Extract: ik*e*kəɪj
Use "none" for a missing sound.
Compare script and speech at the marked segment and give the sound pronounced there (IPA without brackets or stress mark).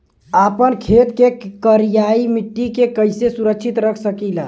e